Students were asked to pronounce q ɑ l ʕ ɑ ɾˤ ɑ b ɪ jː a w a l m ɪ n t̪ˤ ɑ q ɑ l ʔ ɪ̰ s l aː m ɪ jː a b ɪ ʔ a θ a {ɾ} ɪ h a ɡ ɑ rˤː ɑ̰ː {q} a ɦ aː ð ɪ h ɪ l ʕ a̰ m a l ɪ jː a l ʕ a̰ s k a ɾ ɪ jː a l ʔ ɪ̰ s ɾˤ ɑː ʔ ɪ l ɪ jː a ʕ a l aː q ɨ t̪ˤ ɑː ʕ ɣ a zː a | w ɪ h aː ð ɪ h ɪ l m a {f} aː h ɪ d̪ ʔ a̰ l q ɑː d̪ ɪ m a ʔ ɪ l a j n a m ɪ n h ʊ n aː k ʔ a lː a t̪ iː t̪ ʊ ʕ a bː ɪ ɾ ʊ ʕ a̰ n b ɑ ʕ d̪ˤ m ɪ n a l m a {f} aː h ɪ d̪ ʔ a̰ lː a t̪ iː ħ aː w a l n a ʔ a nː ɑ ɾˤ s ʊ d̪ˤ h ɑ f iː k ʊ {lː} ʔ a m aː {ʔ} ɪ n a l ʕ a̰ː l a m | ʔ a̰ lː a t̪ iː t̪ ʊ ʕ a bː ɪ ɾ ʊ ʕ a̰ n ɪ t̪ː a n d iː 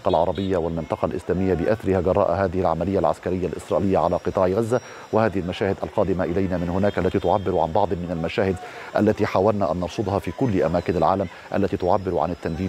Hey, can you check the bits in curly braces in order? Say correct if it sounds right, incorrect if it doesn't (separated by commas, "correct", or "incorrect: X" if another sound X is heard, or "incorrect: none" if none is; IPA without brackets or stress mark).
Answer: correct, incorrect: ʔ, incorrect: ʃ, incorrect: ʃ, correct, incorrect: k